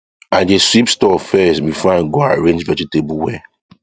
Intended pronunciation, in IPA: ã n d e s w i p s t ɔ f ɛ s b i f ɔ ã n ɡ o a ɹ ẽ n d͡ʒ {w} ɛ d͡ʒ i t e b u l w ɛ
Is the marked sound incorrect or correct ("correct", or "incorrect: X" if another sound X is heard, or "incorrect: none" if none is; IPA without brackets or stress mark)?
incorrect: v